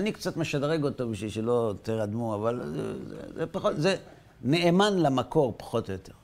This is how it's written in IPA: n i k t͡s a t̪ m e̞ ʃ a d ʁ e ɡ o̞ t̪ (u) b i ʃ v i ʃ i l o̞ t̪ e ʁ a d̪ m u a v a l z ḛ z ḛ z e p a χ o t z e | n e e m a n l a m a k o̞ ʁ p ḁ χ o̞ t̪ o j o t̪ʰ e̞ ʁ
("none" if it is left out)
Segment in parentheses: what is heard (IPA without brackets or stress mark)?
o